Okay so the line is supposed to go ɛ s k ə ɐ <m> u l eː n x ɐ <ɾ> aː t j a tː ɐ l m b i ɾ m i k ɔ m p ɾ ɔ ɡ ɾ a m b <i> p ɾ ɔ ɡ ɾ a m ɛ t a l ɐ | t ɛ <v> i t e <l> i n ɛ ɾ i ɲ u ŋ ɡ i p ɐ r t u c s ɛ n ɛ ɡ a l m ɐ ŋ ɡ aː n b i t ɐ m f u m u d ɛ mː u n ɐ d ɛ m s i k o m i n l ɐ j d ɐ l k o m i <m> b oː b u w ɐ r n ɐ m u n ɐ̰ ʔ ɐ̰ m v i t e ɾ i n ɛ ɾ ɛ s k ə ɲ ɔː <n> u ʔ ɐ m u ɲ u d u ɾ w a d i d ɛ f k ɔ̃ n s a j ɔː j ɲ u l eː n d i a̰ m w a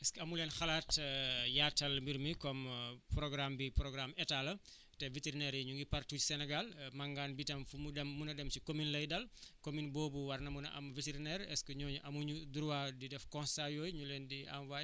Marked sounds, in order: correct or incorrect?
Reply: correct, incorrect, correct, correct, incorrect, incorrect, incorrect

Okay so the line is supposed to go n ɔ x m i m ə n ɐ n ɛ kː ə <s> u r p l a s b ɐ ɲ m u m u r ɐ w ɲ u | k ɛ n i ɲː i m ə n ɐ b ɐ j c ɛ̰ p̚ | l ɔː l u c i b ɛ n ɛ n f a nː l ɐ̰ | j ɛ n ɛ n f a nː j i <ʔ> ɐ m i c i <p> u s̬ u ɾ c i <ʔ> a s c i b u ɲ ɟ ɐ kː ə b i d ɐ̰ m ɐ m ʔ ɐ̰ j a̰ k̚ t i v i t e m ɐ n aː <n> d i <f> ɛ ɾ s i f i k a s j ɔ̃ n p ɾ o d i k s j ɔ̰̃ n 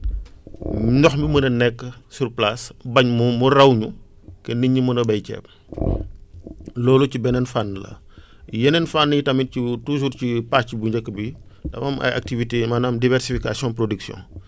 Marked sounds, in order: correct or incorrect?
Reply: correct, incorrect, incorrect, incorrect, incorrect, incorrect

